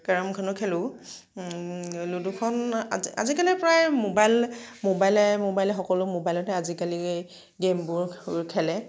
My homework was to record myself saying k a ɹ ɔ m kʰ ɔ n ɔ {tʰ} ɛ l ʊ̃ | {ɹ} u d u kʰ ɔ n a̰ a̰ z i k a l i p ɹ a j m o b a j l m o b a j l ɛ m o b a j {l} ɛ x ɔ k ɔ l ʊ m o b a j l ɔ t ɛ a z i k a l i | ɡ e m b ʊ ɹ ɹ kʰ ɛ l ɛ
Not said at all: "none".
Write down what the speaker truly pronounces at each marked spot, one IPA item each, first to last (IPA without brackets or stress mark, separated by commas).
kʰ, l, l